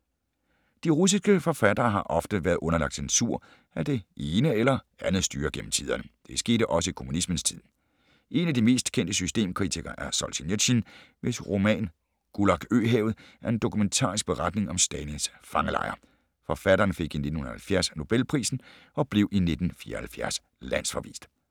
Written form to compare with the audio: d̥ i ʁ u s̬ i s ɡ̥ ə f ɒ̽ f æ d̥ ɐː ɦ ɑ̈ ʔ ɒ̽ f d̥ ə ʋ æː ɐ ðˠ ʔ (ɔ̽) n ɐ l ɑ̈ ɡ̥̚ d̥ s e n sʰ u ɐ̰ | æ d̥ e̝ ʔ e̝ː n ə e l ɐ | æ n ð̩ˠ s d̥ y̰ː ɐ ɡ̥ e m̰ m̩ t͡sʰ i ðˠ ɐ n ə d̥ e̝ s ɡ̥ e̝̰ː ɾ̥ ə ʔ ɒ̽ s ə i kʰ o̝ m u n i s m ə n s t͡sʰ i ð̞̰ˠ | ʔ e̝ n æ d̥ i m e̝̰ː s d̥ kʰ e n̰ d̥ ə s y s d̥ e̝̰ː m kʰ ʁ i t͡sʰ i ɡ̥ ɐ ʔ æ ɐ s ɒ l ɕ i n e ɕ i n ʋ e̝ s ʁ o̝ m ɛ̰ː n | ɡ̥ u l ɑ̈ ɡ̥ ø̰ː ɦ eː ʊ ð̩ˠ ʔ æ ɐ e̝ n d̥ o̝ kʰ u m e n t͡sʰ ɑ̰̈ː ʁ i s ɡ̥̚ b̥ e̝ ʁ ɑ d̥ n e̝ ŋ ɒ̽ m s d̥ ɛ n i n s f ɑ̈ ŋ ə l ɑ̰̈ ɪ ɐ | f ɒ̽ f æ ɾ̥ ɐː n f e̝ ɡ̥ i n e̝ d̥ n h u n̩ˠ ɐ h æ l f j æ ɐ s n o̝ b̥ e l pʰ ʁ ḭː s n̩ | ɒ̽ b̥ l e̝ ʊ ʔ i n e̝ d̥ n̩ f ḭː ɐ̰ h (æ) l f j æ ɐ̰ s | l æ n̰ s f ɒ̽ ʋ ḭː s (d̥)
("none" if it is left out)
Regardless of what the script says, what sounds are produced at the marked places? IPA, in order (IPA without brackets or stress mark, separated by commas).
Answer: ɔ̽, æ, d̥